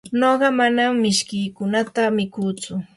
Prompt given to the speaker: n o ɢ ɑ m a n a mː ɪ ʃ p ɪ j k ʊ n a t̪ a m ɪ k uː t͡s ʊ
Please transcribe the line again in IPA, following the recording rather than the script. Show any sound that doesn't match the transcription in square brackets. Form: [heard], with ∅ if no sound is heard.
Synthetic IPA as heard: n o ɢ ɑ m a n a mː ɪ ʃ [k] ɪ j k ʊ n a t̪ a m ɪ k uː t͡s ʊ